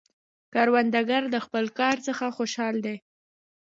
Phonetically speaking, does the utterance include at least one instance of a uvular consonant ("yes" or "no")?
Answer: no